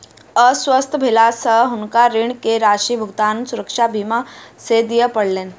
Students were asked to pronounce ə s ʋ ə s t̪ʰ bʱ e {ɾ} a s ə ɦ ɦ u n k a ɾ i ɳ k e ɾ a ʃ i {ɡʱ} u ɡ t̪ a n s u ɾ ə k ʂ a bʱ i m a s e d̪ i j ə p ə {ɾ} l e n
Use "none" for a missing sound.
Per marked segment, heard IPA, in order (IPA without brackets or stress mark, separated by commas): l, bʱ, ɽ